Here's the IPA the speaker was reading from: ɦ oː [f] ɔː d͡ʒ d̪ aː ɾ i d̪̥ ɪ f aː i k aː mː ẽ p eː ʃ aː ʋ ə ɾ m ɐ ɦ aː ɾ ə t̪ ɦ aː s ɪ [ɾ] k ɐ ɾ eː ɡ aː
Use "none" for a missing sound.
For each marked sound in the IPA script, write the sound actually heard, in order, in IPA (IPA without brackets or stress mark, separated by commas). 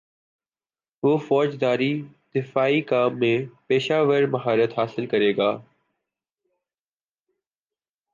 f, l